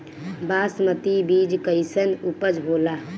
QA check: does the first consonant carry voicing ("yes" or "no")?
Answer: yes